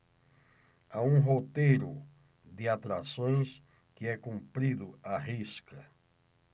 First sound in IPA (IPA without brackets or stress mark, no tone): a